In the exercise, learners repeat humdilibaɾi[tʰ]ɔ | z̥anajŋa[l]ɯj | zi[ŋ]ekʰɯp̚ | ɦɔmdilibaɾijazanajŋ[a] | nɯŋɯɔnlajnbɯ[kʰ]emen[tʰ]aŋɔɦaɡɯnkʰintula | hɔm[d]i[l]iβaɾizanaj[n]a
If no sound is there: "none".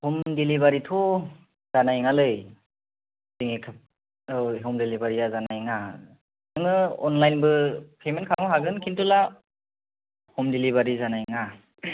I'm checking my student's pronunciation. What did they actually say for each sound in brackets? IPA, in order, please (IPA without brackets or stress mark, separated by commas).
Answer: tʰ, l, ŋ, a, pʰ, kʰ, d, l, ŋ